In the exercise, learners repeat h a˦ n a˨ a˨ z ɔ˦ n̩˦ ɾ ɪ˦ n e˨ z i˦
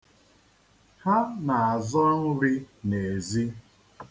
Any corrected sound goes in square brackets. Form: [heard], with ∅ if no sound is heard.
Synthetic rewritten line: h a˦ n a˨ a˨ z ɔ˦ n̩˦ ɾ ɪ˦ n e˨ z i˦

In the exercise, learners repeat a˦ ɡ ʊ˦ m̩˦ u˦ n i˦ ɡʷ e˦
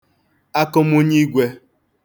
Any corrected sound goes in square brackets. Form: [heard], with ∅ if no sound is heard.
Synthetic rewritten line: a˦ [k] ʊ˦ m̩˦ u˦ [ɲ] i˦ ɡʷ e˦

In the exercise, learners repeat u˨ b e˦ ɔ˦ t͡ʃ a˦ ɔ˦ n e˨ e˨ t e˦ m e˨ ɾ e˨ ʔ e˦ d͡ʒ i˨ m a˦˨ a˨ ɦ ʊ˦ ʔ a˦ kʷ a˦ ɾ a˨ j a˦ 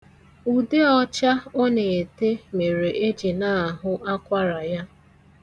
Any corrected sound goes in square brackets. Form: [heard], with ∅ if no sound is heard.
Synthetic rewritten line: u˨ [d] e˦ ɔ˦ t͡ʃ a˦ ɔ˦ n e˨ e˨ t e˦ m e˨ ɾ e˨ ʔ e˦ d͡ʒ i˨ [n] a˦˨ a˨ ɦ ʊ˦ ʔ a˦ kʷ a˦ ɾ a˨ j a˦

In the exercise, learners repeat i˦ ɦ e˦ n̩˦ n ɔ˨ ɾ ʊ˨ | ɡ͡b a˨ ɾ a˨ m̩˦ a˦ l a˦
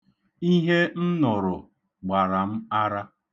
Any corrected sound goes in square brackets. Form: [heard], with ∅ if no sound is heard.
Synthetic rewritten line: i˦ ɦ e˦ n̩˦ n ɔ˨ ɾ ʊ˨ | ɡ͡b a˨ ɾ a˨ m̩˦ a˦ [ɾ] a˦

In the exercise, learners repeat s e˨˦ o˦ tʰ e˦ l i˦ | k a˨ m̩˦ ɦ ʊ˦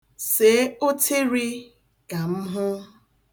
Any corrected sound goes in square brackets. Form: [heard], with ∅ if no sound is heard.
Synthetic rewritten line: s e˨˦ o˦ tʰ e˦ [ɾ] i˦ | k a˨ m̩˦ ɦ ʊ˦

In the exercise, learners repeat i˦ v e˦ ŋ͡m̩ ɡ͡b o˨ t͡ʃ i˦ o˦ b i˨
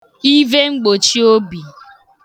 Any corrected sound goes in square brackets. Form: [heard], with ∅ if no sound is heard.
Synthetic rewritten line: i˦ v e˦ ŋ͡m̩ ɡ͡b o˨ t͡ʃ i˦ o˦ b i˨

